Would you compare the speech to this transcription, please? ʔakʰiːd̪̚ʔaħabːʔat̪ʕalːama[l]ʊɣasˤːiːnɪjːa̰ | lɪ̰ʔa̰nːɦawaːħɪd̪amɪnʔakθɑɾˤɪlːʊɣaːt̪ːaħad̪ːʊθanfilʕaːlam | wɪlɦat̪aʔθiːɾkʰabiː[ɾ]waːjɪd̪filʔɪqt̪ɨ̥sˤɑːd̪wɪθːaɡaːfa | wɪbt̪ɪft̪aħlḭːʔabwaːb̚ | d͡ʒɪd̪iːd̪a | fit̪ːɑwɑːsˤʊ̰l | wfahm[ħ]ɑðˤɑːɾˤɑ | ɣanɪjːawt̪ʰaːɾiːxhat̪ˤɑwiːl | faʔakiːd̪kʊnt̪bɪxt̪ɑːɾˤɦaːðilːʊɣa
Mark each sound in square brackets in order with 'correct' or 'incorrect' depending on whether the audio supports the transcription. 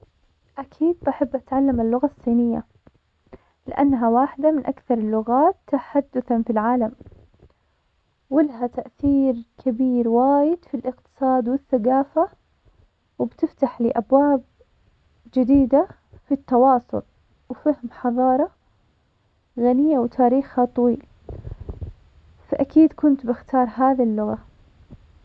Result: incorrect: lː, correct, correct

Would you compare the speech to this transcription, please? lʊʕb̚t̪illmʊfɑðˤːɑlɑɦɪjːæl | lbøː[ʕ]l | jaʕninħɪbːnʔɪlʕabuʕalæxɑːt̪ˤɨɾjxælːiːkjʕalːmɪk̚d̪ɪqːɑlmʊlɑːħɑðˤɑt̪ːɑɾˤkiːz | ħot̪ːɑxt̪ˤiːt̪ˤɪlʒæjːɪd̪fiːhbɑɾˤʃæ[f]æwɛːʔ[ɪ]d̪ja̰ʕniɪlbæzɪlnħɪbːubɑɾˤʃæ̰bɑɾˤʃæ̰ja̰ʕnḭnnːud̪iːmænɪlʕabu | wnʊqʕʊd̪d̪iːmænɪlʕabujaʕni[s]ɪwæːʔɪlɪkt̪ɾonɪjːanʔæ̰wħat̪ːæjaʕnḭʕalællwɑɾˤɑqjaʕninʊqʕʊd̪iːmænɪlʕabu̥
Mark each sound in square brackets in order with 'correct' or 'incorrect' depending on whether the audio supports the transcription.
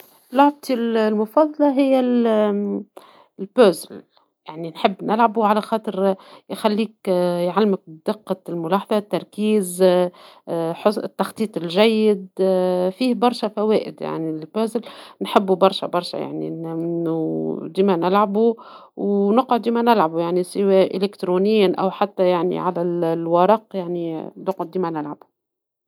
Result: incorrect: z, correct, correct, correct

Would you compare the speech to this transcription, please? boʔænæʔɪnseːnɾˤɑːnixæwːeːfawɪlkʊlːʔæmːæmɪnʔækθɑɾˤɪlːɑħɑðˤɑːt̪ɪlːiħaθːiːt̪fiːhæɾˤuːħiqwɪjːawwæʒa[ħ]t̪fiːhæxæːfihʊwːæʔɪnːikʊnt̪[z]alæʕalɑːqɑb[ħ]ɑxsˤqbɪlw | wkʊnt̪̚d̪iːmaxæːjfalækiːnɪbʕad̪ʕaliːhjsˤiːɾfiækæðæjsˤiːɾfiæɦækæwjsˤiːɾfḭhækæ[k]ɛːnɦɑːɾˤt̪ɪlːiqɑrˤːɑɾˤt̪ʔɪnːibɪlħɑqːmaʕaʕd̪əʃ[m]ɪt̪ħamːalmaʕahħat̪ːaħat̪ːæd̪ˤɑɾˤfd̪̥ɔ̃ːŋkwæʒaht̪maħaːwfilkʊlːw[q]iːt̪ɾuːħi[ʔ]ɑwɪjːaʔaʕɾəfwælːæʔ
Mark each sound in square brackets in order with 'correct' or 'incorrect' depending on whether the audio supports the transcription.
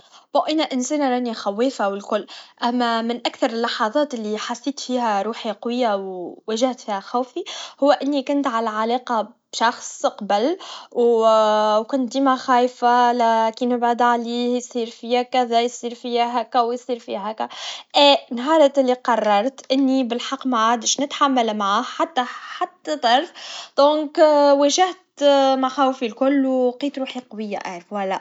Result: incorrect: h, incorrect: ʕ, incorrect: ʃ, incorrect: ʔ, incorrect: n, correct, incorrect: q

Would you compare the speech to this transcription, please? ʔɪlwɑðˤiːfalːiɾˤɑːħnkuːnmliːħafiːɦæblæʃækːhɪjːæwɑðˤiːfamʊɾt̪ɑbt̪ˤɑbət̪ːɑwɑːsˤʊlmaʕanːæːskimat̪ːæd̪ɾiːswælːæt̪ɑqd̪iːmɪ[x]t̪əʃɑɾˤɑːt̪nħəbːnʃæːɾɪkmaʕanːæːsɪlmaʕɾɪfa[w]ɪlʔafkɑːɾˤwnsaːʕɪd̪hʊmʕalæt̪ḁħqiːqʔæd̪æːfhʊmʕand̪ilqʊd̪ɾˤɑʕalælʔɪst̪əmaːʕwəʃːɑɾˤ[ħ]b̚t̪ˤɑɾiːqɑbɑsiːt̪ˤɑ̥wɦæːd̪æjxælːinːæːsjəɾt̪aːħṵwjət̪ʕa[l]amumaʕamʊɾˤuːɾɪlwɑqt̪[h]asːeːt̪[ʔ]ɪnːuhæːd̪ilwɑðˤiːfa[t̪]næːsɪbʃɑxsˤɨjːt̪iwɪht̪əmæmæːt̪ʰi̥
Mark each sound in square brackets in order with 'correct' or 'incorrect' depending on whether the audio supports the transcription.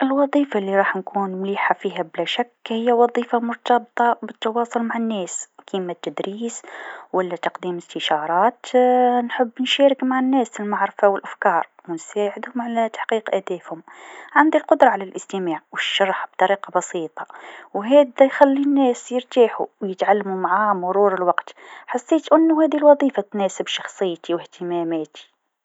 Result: incorrect: s, correct, correct, incorrect: lː, incorrect: ħ, correct, correct

